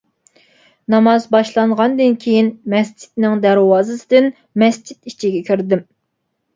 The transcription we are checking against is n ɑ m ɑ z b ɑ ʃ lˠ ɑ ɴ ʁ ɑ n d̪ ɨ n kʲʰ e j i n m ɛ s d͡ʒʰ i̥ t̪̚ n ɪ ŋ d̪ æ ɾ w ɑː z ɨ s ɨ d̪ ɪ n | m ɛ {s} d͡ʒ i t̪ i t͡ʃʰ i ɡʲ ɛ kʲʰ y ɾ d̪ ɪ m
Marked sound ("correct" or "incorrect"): correct